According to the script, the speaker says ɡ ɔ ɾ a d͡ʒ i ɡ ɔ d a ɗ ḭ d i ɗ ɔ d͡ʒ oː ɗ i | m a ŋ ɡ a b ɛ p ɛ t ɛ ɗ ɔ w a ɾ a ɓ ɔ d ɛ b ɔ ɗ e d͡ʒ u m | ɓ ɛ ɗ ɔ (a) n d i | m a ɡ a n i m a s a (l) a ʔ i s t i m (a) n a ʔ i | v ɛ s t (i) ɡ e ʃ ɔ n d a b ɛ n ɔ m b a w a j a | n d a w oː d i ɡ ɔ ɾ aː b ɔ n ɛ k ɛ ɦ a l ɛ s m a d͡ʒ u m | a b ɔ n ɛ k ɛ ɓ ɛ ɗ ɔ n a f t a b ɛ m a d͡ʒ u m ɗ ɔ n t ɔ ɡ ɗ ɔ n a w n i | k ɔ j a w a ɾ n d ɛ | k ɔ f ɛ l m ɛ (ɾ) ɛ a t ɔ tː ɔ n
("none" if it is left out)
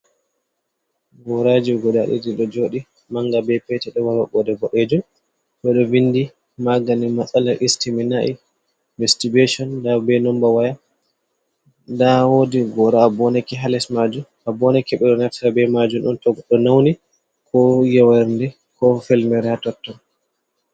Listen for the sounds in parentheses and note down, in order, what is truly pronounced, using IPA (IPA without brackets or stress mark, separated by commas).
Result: i, l, i, i, ɾ